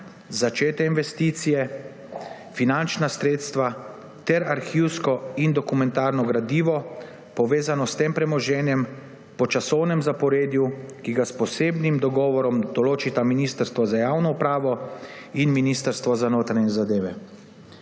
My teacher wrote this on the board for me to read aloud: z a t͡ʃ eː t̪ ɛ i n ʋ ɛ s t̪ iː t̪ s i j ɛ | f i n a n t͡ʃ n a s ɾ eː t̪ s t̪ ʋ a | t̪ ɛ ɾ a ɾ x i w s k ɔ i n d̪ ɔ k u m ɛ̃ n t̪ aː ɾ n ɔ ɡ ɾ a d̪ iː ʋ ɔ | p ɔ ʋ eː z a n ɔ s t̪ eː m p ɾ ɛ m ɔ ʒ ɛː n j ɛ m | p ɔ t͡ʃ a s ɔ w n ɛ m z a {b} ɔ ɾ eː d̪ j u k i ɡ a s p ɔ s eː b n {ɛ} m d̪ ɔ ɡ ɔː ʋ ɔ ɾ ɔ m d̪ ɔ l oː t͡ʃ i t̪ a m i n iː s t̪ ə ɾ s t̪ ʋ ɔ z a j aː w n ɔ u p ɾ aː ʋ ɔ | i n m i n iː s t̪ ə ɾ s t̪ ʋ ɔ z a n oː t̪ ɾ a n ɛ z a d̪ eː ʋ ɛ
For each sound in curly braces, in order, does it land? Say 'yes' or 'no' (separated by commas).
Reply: no, no